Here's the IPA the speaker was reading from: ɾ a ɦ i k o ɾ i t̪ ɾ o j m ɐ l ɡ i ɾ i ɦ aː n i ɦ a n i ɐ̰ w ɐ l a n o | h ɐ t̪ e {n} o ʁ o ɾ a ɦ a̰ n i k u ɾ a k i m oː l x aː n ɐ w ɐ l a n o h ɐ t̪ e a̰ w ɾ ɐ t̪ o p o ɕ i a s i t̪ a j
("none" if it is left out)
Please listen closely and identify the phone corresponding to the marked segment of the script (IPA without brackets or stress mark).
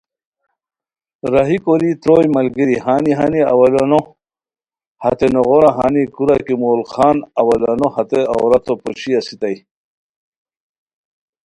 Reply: n